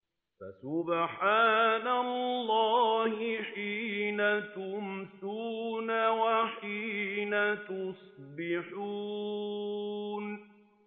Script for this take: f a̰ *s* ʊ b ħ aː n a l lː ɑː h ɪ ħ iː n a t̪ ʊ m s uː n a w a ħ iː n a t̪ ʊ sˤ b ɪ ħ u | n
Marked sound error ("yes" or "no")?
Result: no